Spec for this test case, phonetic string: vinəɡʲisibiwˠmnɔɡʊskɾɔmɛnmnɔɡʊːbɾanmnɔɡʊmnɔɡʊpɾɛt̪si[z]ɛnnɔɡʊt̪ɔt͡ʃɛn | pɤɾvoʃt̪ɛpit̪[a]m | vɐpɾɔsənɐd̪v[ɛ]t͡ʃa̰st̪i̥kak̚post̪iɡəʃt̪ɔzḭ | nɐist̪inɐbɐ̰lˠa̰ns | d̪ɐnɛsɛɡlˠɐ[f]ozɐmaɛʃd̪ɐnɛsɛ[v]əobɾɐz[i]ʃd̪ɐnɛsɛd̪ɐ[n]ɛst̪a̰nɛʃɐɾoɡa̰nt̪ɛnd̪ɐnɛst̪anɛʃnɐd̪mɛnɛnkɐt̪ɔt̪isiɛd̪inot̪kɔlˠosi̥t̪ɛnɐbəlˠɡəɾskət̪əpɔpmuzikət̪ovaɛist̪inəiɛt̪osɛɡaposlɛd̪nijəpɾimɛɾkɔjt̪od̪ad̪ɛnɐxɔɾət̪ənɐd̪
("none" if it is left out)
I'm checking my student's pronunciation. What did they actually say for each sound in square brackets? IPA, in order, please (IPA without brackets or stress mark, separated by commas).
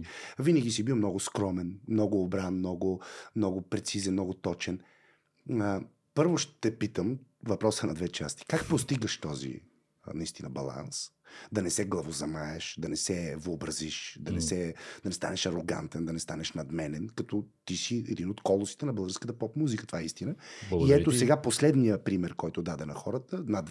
z, ə, ɛ, v, v, i, n